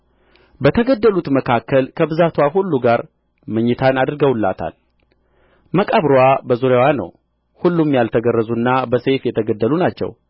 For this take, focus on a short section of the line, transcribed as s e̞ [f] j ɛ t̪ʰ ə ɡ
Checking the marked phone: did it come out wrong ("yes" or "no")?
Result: no